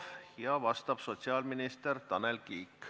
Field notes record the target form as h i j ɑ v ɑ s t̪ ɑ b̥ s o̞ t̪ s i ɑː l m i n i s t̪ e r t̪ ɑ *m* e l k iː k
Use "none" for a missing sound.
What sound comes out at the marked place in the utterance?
n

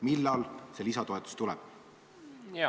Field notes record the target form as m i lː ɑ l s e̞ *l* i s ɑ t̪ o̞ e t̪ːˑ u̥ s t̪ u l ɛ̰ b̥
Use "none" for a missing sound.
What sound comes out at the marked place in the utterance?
l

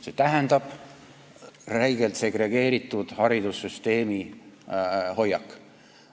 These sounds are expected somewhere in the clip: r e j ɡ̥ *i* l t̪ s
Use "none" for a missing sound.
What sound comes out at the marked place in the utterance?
e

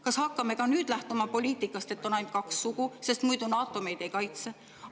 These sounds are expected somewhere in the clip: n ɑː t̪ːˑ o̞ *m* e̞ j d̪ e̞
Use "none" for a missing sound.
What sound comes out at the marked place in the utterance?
m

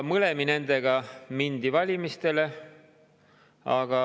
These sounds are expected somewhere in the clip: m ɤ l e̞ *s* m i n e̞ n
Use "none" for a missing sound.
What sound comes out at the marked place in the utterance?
none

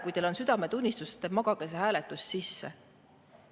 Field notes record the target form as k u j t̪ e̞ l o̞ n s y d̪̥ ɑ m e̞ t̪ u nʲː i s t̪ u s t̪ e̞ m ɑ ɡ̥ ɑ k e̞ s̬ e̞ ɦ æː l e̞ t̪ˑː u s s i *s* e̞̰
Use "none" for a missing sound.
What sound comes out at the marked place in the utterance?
sː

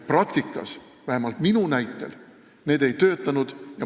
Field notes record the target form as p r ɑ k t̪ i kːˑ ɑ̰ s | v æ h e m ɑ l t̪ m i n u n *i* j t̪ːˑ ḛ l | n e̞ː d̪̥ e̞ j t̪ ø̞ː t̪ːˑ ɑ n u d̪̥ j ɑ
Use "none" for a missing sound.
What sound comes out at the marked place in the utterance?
æ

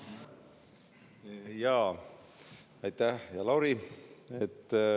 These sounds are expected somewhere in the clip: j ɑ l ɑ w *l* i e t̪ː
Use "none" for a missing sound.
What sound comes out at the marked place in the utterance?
ɾ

